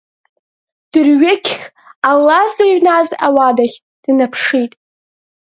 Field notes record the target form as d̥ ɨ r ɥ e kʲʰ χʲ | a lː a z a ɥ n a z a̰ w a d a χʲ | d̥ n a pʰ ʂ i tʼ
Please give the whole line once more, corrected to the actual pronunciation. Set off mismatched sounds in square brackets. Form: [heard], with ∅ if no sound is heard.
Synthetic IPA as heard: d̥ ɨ r ɥ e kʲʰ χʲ | a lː a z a ɥ n a z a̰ w a d a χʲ | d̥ n a pʰ ʂ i tʼ